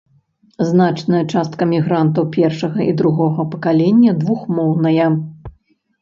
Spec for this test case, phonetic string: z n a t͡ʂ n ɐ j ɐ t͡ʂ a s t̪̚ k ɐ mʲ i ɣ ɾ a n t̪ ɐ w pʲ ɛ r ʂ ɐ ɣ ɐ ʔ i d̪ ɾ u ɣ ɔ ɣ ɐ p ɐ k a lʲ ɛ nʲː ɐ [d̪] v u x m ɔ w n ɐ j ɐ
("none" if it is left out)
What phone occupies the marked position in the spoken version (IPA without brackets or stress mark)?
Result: d̪